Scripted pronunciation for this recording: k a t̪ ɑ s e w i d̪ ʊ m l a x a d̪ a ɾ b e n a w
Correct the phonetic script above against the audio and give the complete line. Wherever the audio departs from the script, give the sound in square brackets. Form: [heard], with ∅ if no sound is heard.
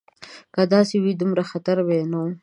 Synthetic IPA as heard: k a [d̪] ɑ s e w i d̪ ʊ m [ɾ] a x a [t̪] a ɾ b e n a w